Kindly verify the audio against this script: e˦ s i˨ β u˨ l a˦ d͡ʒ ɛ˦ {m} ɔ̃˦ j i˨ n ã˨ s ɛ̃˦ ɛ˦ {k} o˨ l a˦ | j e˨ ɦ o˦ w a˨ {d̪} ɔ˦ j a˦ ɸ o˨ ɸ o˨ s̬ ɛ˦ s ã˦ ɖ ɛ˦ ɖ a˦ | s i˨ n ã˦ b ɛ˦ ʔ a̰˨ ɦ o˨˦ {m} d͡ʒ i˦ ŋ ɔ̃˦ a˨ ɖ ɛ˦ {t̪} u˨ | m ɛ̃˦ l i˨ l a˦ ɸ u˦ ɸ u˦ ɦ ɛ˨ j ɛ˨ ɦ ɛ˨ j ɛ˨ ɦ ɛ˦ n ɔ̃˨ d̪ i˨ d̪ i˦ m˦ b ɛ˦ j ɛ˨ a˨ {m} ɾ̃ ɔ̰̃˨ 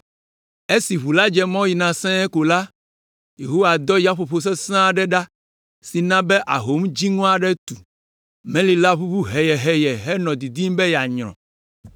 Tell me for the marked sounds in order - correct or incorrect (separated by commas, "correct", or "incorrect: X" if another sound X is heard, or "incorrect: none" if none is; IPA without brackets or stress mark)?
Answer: correct, correct, correct, correct, correct, incorrect: ɲ